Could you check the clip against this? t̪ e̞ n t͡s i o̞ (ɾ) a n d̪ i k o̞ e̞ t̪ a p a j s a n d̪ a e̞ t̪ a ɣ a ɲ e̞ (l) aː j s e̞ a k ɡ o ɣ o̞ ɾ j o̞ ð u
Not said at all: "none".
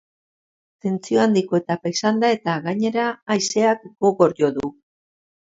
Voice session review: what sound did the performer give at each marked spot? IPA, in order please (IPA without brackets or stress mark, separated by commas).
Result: none, ɾ